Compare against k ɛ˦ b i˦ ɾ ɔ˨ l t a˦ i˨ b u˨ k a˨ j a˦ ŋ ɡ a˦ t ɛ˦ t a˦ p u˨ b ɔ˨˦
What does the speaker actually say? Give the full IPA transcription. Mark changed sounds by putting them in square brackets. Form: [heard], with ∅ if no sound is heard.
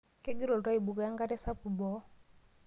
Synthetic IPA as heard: k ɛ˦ [ɡ] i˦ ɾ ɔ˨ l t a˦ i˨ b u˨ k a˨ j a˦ ŋ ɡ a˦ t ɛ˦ [s] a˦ p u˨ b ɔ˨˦